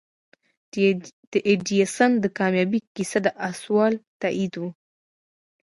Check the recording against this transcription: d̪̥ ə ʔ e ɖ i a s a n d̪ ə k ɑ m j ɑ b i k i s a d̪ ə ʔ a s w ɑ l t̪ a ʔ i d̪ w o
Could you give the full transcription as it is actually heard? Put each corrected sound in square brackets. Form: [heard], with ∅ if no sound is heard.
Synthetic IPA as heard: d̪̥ ə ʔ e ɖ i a s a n d̪ ə k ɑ m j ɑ b i k i s a d̪ ə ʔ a s w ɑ l t̪ a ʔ i d̪ w [u]